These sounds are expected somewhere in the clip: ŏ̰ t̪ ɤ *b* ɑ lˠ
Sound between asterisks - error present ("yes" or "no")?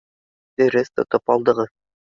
yes